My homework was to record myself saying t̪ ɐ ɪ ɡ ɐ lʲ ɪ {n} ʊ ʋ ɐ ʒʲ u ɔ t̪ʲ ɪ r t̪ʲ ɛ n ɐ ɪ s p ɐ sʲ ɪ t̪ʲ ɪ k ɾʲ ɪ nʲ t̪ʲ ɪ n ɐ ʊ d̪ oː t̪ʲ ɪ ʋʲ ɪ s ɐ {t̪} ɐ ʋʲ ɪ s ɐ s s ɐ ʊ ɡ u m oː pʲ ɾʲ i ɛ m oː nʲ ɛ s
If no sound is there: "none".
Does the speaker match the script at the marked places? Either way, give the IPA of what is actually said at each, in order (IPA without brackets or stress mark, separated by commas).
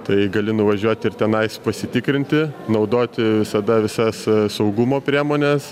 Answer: n, d̪